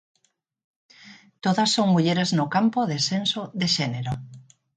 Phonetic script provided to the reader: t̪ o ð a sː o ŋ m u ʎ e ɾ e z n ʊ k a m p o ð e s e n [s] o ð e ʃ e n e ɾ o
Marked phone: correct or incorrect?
correct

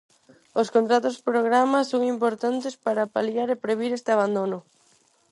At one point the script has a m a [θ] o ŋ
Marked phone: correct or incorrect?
incorrect: s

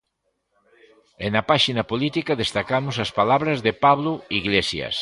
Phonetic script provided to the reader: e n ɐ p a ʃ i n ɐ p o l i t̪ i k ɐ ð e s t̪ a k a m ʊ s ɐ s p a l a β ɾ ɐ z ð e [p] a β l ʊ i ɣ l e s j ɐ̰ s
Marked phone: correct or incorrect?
correct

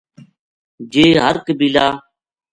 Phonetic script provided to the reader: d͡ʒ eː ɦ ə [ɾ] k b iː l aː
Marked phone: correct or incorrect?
correct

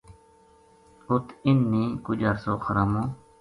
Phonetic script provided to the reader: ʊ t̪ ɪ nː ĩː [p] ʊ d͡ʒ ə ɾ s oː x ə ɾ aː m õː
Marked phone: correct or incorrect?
incorrect: k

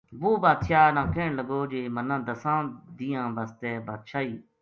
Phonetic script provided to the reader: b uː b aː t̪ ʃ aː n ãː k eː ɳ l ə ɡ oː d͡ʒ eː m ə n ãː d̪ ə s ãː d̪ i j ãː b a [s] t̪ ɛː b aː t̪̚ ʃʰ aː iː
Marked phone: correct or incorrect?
correct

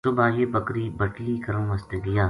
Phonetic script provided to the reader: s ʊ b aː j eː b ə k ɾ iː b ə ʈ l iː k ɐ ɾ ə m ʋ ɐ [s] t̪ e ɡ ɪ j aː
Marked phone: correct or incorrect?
correct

